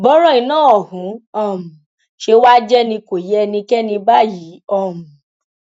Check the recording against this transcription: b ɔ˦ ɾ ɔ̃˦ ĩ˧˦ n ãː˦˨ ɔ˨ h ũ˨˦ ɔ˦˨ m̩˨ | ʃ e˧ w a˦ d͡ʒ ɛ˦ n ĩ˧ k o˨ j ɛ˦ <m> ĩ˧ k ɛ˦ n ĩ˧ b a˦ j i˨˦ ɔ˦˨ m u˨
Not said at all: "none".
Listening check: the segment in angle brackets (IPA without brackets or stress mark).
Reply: n